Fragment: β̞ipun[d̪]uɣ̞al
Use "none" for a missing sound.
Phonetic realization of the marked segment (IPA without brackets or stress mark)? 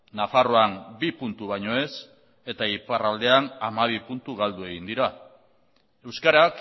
t̪